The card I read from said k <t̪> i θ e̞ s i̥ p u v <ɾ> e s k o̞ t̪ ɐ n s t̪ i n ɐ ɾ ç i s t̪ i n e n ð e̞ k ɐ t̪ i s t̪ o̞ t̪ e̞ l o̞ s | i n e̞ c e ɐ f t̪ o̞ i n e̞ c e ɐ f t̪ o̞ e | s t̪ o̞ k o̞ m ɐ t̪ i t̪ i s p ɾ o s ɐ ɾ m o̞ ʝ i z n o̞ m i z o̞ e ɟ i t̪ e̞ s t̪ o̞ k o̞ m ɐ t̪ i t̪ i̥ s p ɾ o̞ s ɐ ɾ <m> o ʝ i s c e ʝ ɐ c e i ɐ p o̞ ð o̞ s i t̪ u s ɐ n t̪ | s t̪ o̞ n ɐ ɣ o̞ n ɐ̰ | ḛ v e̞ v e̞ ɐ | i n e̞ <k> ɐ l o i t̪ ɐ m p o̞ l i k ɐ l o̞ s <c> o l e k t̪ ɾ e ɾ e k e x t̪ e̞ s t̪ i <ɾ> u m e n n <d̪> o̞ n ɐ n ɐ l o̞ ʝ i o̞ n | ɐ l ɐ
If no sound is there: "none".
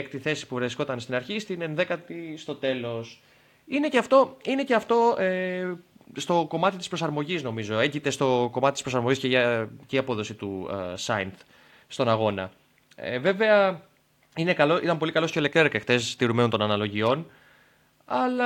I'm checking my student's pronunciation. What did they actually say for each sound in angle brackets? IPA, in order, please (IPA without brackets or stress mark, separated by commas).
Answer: t̪, ɾ, m, k, c, ɾ, t̪